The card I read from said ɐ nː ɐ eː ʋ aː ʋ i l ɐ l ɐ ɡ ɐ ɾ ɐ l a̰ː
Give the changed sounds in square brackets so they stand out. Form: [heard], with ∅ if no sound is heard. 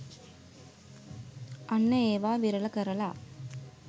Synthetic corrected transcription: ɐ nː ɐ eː ʋ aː ʋ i [ɾ] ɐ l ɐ [k] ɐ ɾ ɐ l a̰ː